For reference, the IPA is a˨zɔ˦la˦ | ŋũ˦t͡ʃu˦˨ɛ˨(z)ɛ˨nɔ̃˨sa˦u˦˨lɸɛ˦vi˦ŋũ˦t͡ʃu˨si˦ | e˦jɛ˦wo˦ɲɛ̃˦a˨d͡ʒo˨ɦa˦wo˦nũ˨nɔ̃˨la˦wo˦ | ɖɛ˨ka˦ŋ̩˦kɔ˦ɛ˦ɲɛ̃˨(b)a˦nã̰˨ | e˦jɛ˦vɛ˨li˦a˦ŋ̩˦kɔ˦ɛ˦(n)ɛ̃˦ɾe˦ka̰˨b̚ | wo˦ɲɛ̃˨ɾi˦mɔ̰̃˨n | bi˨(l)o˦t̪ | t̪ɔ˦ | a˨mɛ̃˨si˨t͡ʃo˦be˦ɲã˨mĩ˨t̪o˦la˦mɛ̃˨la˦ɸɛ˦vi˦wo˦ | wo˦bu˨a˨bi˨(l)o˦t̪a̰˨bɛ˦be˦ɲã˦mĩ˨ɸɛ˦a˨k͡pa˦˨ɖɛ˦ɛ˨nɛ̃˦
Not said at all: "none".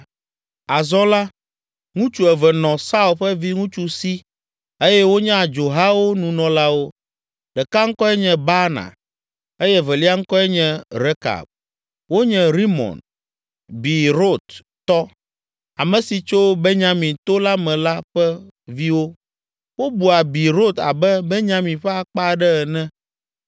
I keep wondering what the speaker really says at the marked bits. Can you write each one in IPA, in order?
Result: v, b, ɲ, ɾ, ɾ

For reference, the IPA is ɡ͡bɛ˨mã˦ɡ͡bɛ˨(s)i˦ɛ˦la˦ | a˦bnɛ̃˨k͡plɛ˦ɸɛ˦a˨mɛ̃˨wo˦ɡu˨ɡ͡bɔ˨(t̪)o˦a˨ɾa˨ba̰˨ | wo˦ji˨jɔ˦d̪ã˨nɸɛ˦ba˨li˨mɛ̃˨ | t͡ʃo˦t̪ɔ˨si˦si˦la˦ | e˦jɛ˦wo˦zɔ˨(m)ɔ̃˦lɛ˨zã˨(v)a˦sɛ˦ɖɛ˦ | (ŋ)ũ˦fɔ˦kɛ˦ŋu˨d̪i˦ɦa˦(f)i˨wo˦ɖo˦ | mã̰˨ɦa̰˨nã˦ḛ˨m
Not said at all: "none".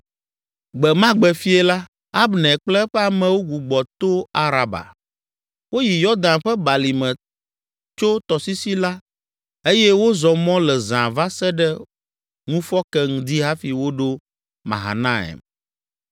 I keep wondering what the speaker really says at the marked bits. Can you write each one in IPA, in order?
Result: f, t̪, m, v, ŋ, f

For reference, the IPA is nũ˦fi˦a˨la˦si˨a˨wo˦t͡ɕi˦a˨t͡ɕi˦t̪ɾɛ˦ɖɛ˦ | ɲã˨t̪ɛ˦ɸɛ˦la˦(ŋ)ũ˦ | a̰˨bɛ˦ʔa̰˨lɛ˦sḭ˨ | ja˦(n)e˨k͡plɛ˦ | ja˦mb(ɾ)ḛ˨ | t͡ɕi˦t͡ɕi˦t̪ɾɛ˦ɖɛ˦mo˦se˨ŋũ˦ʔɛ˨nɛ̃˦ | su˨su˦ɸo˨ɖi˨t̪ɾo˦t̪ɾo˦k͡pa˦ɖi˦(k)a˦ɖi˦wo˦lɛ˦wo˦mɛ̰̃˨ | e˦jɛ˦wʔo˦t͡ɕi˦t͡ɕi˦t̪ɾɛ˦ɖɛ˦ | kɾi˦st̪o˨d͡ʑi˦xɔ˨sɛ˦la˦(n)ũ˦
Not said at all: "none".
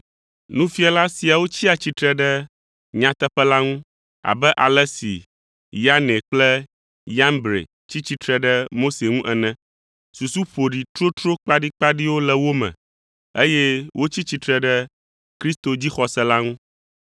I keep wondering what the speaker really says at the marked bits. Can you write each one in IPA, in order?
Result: ŋ, n, ɾ, k͡p, ŋ

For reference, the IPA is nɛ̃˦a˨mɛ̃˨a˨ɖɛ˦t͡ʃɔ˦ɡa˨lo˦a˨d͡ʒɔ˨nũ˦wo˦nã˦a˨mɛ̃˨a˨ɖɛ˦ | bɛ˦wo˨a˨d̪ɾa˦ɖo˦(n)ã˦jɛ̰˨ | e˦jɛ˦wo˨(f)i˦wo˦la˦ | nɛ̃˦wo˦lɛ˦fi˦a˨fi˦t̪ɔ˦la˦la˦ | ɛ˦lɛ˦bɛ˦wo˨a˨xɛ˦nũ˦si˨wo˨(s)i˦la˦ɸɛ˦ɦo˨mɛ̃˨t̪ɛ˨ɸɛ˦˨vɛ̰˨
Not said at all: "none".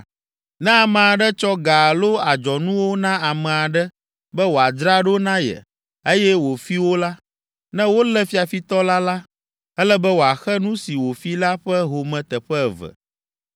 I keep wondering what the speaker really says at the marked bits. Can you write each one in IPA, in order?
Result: n, f, f

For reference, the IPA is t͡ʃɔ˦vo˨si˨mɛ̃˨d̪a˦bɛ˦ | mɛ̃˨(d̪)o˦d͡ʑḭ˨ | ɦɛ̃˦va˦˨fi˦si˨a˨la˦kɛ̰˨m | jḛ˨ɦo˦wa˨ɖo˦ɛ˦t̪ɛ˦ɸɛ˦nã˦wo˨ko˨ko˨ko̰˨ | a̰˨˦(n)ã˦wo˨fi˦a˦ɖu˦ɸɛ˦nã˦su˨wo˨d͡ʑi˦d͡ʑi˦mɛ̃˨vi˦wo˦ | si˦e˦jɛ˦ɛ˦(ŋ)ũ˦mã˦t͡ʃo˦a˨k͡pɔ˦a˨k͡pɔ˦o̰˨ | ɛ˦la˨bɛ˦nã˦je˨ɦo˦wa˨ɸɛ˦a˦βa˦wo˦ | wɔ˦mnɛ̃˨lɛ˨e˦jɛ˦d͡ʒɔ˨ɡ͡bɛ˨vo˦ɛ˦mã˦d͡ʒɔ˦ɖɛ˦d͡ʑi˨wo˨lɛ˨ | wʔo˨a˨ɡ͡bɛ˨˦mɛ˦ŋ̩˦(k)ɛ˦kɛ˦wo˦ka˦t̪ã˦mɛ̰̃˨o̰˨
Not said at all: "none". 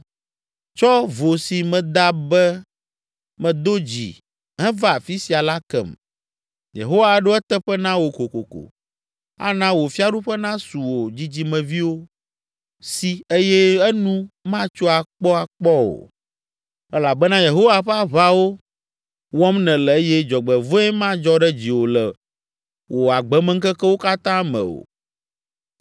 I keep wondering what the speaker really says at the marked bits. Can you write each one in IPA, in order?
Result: d̪, n, n, k

